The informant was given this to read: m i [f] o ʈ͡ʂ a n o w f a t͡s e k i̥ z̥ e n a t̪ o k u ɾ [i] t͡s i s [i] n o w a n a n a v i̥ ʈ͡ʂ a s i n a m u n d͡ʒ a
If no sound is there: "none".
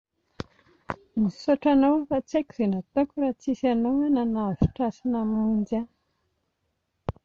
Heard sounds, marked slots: s, a, a

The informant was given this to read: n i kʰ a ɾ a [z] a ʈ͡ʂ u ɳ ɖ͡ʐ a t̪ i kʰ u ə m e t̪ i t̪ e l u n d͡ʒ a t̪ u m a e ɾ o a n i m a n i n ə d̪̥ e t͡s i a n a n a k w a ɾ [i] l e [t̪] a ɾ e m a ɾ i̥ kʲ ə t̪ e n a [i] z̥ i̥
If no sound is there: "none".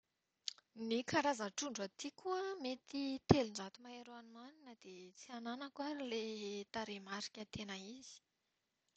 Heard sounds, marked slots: z, i, t̪, i

